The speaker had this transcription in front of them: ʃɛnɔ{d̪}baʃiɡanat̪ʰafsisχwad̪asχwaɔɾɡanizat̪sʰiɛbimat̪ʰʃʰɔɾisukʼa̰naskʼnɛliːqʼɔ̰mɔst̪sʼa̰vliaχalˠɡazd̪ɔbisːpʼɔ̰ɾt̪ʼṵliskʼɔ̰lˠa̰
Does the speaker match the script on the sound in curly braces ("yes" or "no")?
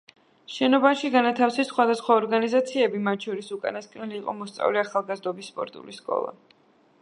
no